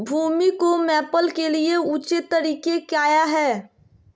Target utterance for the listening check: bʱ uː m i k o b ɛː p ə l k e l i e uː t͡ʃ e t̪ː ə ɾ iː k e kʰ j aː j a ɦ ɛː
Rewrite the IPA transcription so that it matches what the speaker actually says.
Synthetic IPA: bʱ uː m i k o m ɛː p ə l k e l i e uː t͡ʃ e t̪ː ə ɾ iː k e k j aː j a ɦ ɛː